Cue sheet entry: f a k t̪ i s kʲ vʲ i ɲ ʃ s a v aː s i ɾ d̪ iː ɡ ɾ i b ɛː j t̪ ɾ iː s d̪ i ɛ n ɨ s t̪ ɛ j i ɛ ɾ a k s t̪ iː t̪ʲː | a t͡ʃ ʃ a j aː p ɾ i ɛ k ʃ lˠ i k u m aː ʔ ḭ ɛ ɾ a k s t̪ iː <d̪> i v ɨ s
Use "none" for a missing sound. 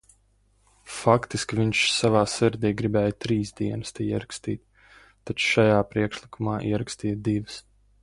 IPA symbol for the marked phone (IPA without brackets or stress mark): d̪